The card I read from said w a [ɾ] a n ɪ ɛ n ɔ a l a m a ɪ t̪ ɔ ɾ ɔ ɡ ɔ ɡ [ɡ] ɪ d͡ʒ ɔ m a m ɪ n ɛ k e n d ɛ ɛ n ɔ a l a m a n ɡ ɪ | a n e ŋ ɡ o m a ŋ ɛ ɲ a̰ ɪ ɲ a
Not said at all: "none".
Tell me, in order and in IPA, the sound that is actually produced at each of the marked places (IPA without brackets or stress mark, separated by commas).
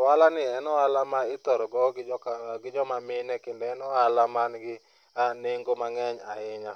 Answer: l, ɡ